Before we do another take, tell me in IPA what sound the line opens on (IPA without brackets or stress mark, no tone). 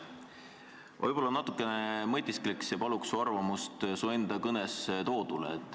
v